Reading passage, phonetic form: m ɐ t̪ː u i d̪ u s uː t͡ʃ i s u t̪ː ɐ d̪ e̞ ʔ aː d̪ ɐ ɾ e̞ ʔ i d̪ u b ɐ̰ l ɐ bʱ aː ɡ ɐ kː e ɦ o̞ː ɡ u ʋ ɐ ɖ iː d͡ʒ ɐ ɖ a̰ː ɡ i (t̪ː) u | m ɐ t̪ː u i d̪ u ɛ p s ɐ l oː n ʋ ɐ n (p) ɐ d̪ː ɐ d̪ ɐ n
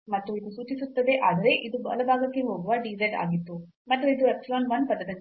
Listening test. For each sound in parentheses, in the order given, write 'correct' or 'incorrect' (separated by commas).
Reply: correct, correct